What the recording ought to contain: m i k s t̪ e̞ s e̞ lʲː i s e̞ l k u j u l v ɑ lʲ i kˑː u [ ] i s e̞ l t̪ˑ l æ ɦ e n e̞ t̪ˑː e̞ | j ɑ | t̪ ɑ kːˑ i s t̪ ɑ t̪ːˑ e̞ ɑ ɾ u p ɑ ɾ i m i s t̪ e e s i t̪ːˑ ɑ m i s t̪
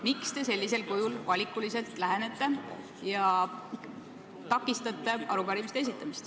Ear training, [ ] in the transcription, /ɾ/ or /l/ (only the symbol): l